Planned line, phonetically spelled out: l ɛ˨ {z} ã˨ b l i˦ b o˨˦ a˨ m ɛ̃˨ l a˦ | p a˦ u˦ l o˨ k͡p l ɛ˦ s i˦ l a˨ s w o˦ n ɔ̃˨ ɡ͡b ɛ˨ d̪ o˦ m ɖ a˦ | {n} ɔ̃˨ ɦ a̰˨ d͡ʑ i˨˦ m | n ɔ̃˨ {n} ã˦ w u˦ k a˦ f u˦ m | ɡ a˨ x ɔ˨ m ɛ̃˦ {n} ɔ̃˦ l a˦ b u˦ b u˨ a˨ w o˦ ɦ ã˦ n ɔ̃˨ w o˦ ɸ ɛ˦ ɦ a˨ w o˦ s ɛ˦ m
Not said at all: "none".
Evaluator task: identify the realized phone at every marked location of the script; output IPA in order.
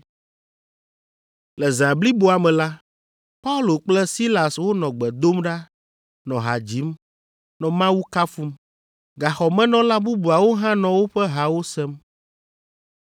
z, n, m, n

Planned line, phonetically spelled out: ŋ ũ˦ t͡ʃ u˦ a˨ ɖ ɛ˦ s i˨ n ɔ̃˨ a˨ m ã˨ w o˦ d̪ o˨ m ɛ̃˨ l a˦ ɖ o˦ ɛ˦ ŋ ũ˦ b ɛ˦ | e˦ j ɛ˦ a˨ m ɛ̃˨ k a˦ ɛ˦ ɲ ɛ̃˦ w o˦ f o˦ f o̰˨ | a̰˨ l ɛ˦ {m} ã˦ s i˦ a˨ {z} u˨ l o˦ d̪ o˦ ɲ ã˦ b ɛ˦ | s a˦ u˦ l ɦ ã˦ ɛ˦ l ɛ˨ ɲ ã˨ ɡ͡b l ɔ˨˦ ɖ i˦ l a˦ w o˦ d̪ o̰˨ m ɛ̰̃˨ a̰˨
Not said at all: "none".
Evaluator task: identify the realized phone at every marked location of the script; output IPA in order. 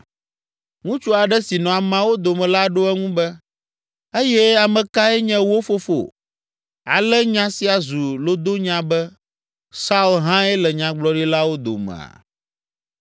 ɲ, z

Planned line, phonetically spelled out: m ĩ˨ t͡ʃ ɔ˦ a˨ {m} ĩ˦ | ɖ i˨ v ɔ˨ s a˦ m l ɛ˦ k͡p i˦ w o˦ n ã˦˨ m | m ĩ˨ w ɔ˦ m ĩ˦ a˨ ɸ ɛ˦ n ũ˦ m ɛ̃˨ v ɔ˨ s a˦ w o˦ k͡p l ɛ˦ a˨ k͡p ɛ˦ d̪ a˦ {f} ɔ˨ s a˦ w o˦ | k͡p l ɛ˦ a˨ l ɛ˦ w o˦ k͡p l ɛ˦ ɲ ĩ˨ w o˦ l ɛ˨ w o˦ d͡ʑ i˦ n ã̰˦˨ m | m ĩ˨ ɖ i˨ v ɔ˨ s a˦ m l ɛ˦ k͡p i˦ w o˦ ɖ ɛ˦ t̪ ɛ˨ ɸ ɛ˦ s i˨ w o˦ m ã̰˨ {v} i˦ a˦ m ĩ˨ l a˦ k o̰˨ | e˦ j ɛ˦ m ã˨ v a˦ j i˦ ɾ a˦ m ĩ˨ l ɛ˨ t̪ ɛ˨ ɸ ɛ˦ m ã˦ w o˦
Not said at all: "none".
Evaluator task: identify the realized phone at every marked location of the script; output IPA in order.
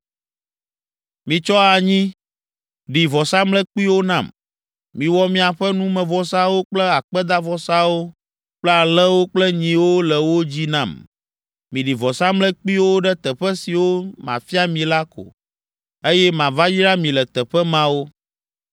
ɲ, v, f

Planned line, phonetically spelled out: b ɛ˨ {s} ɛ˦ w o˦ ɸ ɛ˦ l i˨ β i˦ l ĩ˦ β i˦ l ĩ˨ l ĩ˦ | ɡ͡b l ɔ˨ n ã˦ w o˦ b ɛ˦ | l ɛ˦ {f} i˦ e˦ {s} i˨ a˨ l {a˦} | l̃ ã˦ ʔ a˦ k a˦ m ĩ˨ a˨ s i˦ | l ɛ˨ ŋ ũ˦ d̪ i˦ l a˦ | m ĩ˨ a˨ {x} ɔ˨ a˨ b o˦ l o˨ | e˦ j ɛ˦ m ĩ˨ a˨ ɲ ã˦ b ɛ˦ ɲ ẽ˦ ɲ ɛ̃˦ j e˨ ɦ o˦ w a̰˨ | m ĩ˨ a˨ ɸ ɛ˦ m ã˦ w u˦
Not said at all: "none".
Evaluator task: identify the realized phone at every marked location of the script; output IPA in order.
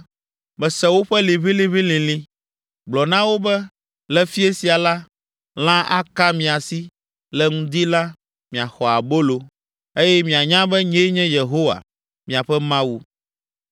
s, f, s, a˦, x

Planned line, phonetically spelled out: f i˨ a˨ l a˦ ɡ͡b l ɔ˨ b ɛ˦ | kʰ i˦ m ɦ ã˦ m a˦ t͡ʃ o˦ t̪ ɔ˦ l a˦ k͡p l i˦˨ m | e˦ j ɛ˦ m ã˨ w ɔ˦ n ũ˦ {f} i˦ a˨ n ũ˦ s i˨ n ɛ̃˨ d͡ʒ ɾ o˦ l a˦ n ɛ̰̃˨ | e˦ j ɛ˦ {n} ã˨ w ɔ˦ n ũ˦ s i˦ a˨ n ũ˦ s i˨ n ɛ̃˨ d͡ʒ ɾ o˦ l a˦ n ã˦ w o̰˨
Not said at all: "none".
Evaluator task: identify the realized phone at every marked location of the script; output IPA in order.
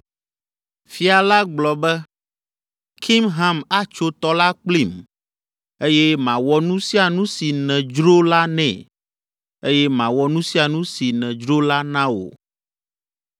s, m

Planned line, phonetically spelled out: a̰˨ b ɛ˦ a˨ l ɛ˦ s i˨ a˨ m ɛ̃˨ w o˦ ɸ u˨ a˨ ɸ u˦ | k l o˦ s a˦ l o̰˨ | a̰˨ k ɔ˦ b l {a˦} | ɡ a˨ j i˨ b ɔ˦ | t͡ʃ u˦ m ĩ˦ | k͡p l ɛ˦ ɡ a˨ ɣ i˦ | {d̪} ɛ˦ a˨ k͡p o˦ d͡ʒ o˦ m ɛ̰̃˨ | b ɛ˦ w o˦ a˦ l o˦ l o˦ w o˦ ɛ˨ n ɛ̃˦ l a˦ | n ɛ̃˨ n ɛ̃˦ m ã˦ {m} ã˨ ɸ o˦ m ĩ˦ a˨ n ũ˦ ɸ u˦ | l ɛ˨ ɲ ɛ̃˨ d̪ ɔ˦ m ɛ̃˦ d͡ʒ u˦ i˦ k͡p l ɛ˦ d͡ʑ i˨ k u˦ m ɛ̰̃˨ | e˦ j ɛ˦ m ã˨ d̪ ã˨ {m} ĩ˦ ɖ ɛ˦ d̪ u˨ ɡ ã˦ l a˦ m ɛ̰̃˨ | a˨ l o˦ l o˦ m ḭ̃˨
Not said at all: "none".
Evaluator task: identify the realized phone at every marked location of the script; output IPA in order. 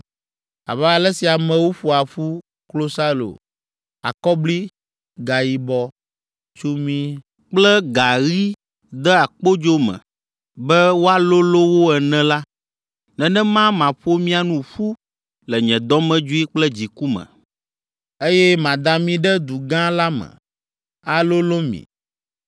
i˦, d̪, m, m

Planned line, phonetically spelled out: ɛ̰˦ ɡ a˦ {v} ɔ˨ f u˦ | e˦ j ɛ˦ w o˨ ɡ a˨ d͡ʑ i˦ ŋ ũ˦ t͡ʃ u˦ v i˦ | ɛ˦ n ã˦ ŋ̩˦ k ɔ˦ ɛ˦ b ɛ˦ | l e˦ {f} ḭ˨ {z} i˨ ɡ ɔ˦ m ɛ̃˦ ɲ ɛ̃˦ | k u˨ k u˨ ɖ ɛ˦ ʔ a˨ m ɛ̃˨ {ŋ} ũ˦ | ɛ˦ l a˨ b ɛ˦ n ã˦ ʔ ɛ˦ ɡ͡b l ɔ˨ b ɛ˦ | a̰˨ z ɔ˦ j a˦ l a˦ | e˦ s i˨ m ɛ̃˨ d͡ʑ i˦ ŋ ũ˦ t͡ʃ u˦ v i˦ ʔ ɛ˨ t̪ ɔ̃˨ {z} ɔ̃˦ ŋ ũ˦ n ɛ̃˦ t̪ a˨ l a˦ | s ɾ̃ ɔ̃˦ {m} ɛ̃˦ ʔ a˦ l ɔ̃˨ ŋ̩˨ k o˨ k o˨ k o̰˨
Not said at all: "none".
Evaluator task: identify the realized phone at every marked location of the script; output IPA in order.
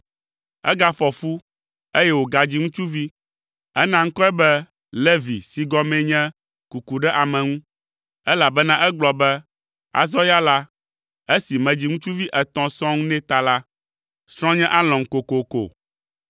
f, v, s, ŋ, s, ɲ

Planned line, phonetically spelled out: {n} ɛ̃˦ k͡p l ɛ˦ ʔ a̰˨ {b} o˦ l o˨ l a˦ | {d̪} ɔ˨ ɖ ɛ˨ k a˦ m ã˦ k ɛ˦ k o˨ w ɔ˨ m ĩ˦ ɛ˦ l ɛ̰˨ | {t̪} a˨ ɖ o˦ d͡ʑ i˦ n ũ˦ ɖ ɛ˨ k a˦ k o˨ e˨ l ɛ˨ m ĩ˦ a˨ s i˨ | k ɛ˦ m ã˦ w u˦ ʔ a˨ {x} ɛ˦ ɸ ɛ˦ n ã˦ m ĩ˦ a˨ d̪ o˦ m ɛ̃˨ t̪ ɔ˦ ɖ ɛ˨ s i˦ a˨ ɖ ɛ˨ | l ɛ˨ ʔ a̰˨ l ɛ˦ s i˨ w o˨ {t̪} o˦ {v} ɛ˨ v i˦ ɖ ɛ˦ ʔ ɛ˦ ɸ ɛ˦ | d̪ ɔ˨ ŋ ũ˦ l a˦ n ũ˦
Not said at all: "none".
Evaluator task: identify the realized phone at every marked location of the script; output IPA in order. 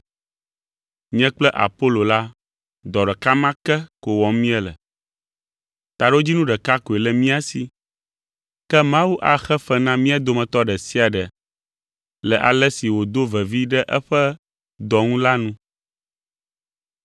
ɲ, p, d̪, t̪, x, d̪, v

